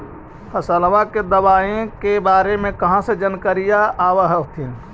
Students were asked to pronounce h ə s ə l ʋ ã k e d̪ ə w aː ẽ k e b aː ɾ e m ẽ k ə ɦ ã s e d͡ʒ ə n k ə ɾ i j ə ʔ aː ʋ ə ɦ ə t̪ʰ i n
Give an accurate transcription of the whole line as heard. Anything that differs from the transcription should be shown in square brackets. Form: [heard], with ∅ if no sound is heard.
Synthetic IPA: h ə s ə l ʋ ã k e d̪ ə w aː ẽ k e b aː ɾ e m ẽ k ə ɦ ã s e d͡ʒ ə n k ə ɾ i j [a] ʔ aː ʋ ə ɦ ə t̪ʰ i n